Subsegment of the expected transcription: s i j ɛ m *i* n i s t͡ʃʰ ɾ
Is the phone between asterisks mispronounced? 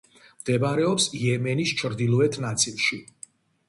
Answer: yes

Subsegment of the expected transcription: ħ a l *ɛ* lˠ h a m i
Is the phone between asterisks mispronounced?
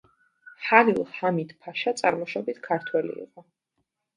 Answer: yes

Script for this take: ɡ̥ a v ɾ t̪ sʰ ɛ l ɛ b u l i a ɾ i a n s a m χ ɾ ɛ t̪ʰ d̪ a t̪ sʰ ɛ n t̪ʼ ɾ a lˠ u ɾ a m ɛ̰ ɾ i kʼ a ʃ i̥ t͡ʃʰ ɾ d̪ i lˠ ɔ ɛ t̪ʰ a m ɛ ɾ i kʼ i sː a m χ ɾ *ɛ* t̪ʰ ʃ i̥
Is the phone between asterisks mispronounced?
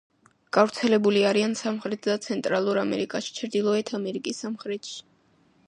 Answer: no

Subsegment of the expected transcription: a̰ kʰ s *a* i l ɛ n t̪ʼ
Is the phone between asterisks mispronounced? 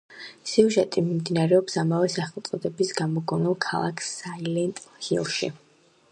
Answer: no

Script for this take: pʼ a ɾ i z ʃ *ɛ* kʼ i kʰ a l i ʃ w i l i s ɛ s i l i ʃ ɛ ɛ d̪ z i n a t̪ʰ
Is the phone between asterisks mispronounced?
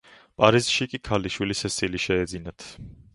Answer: yes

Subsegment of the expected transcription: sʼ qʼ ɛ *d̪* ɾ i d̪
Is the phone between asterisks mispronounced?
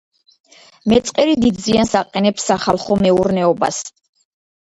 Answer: yes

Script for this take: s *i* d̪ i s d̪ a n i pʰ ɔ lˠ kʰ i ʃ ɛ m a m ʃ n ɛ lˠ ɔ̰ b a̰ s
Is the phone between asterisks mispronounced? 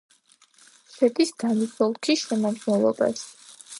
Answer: yes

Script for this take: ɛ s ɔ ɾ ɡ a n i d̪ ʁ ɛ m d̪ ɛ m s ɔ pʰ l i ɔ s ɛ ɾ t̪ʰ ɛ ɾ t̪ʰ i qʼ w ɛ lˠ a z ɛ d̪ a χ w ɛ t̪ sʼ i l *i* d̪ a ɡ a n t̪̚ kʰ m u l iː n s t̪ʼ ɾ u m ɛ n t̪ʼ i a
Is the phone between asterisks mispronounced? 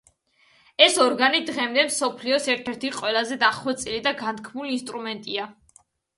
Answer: no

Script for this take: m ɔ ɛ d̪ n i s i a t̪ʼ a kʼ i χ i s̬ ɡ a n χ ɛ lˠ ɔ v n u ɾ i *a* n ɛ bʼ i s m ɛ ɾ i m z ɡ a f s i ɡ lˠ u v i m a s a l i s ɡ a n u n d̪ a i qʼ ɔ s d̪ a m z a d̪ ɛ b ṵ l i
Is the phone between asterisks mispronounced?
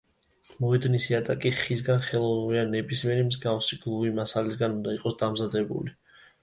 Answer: no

